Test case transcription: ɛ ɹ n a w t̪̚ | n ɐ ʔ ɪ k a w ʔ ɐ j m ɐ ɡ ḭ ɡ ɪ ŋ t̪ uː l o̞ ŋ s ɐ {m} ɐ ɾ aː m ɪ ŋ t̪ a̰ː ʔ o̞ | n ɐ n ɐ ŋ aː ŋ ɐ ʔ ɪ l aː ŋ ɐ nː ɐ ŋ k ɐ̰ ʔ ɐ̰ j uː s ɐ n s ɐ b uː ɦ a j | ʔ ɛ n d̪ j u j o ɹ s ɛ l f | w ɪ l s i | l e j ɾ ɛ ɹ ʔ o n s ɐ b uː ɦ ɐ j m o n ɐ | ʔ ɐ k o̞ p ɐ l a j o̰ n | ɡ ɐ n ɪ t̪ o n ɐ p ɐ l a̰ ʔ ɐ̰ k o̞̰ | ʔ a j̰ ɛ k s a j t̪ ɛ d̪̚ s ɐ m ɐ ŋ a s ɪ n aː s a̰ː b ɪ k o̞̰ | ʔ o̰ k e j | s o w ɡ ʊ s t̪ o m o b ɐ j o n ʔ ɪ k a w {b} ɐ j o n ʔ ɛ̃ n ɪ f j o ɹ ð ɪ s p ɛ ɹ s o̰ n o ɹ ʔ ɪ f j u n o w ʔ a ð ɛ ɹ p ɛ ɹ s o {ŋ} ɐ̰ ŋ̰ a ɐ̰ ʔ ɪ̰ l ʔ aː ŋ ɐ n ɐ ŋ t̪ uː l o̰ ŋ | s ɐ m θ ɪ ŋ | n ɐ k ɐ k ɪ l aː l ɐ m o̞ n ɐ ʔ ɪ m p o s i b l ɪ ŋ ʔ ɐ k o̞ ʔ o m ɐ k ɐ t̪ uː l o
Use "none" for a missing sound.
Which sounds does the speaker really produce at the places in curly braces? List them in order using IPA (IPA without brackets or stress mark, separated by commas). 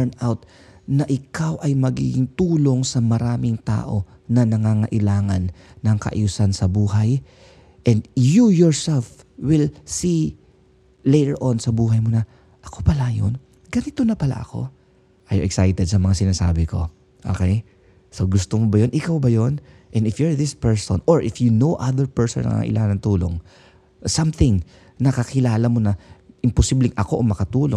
m, b, n